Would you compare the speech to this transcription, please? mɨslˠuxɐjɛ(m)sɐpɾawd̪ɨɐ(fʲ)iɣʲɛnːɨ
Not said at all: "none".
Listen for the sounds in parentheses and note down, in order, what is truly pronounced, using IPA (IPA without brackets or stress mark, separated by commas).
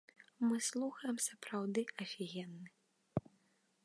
m, fʲ